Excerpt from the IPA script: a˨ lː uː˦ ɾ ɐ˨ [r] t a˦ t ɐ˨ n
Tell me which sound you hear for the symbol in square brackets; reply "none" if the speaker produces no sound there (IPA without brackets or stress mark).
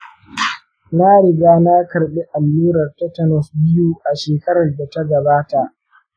r